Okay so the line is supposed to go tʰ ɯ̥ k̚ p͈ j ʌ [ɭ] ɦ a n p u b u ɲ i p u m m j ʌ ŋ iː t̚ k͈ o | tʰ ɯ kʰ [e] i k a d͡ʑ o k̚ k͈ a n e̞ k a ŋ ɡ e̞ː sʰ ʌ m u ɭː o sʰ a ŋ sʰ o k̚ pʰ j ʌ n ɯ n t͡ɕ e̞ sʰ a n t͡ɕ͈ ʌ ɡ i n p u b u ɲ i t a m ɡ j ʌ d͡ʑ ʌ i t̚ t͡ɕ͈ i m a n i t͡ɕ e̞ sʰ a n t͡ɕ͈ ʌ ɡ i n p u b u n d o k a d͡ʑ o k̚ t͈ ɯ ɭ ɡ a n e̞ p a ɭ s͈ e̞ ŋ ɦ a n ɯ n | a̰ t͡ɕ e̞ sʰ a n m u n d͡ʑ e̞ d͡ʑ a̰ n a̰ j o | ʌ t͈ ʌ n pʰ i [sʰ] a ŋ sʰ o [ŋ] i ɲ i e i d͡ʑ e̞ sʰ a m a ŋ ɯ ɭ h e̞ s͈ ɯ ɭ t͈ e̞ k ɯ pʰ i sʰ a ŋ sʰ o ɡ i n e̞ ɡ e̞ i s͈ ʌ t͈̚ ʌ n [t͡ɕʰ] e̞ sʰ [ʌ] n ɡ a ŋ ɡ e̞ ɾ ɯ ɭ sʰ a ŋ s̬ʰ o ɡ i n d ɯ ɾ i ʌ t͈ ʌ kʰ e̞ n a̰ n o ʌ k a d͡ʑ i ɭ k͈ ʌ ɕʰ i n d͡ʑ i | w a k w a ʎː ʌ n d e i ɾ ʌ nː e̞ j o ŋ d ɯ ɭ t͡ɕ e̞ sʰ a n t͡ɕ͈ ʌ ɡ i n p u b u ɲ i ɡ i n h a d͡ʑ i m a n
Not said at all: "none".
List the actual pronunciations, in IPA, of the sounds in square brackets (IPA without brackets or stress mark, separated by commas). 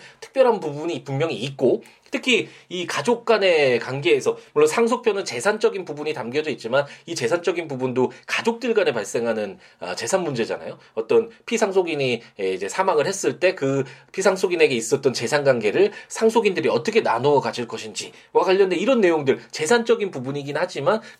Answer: ɾ, i, sʰ, ɡ, t͡ɕ, a